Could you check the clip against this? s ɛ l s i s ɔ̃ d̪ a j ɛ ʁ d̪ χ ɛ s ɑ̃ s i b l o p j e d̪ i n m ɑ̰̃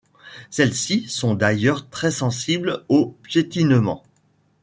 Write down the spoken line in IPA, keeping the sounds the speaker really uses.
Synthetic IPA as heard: s ɛ l s i s ɔ̃ d̪ a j œ ʁ t̪ χ ɛ s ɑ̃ s i b l o p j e t̪ i n m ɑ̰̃